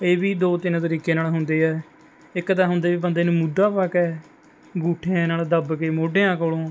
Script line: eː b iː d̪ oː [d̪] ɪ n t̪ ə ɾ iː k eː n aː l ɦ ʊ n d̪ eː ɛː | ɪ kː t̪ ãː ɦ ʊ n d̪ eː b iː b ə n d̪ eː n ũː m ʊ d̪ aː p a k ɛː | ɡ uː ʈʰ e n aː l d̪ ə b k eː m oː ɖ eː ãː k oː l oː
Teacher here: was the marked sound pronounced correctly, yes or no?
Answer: no